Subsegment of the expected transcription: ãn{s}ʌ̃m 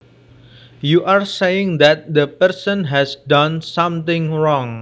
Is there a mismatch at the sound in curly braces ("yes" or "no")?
no